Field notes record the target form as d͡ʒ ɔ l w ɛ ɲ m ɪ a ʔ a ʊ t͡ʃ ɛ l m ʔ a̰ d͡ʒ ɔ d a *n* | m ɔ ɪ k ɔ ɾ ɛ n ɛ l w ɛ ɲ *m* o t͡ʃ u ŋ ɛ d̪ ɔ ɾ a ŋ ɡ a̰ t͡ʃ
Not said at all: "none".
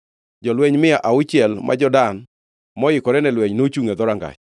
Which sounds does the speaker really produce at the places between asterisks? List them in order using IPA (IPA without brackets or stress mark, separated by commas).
n, n